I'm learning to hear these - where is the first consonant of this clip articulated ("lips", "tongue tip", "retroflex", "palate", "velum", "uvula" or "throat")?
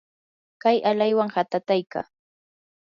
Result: velum